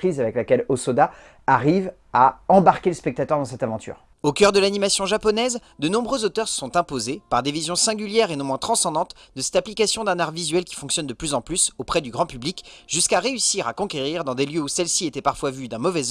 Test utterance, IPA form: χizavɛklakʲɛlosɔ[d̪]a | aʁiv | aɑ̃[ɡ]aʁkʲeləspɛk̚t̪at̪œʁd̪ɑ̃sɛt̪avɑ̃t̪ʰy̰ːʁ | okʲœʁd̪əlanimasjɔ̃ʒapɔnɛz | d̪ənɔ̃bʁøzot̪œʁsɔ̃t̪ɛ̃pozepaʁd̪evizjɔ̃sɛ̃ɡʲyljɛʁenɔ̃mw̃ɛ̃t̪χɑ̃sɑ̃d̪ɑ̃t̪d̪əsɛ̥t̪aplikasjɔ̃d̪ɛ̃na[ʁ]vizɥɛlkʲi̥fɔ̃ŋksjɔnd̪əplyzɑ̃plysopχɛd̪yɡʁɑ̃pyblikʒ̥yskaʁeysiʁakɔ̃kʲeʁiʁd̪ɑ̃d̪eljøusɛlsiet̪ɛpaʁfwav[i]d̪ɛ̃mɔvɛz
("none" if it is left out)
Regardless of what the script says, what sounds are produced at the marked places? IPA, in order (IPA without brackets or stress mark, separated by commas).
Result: d̪, b, ʁ, y